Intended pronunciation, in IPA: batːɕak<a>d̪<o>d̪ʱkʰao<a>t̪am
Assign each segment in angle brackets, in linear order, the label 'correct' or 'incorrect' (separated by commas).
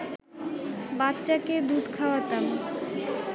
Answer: incorrect, incorrect, correct